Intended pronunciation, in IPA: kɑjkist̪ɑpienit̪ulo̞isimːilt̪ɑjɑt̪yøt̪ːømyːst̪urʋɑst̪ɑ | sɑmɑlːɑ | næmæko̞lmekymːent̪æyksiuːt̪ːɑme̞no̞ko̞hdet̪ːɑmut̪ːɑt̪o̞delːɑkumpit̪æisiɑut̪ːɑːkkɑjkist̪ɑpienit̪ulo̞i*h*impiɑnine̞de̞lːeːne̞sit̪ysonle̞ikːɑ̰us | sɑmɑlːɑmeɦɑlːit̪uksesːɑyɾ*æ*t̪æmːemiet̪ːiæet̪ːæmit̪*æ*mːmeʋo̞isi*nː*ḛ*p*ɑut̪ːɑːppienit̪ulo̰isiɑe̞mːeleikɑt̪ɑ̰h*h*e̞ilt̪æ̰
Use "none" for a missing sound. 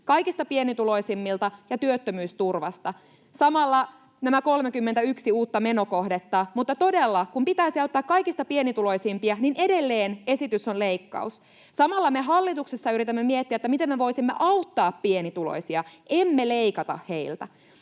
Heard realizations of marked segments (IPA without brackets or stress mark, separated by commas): s, i, e, mː, ʔ, h